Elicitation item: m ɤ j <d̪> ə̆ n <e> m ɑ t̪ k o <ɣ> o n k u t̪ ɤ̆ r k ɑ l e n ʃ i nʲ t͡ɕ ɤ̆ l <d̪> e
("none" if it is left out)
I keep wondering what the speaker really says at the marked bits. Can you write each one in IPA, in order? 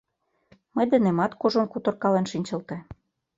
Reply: d̪, e, ʒ, t̪

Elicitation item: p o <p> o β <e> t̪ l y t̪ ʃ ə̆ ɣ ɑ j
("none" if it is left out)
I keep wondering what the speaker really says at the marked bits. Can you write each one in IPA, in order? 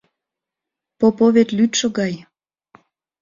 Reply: p, e

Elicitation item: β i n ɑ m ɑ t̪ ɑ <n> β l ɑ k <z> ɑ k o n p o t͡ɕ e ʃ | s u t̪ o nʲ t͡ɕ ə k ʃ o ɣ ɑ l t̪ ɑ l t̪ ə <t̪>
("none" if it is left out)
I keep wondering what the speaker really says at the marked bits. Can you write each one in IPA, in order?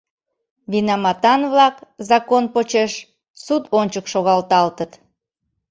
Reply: n, z, t̪

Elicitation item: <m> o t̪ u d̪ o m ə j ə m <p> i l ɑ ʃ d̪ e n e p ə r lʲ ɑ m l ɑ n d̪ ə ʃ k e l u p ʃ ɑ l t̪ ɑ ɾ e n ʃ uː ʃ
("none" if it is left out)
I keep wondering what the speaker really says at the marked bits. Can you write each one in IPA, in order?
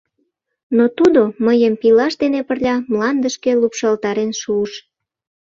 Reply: n, p

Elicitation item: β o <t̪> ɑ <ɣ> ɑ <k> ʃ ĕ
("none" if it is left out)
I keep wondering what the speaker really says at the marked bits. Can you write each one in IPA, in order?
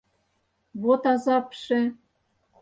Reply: t̪, z, p

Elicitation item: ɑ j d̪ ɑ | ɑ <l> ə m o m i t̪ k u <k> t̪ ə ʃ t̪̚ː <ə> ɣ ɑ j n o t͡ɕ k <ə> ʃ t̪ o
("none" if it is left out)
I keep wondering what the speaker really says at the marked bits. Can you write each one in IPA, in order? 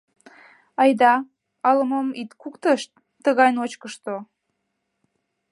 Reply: l, k, ə, ə

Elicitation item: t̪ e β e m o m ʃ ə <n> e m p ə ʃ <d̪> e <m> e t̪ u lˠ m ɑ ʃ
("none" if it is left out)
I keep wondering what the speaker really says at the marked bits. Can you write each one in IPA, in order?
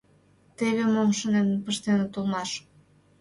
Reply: n, t̪, n

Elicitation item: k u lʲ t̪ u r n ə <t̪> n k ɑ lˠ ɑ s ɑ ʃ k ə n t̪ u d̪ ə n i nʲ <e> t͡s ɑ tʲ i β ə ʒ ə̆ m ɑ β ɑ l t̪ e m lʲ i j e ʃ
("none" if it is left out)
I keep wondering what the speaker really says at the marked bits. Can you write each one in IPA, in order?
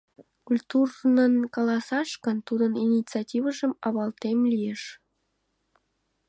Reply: none, i

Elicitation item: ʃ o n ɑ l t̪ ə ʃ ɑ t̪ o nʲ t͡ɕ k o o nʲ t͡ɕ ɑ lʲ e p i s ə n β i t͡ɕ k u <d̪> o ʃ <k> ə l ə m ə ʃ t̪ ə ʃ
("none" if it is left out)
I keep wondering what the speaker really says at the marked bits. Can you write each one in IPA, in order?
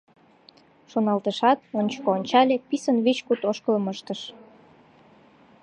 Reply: t̪, k

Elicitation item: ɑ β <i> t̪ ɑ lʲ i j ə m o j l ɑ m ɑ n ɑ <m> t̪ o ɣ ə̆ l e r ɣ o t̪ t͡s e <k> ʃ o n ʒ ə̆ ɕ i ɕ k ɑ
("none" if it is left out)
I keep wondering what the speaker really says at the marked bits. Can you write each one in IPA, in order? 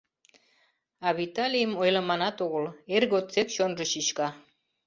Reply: i, none, k

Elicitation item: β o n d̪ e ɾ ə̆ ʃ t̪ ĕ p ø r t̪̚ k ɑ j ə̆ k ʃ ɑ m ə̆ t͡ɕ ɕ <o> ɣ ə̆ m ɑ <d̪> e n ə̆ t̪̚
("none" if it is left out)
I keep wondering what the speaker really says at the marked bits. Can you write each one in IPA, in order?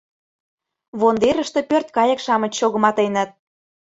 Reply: o, t̪

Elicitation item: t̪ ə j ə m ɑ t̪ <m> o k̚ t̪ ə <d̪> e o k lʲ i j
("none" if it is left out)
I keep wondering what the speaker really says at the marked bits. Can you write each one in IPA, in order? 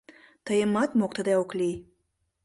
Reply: m, d̪

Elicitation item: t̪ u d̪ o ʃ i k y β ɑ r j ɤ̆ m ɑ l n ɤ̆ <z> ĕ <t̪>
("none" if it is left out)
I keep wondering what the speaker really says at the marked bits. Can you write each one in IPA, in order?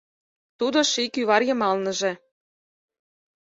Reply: ʒ, none

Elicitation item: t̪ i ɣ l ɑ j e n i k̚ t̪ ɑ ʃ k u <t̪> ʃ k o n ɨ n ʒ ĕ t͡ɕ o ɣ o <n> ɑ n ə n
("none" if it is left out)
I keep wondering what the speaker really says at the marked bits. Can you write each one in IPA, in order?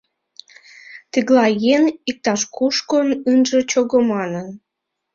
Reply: none, m

